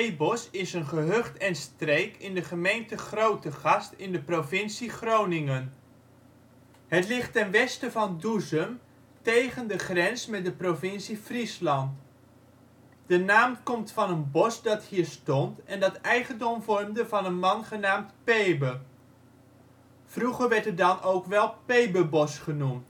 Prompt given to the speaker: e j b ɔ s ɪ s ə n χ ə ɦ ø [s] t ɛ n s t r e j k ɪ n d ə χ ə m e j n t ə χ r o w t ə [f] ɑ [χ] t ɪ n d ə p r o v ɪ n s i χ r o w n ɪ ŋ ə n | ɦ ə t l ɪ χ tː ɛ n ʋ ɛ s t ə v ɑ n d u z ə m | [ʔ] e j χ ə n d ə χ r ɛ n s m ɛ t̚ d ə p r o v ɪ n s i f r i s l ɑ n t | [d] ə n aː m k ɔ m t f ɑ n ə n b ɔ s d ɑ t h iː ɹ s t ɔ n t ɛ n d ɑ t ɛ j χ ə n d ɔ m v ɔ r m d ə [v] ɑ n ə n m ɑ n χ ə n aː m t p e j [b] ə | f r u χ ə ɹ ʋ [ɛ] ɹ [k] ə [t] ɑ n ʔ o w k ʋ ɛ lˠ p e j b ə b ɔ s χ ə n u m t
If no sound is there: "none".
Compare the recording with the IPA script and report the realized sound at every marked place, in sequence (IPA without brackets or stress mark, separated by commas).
χ, χ, s, t, d, v, b, ɛ, t, d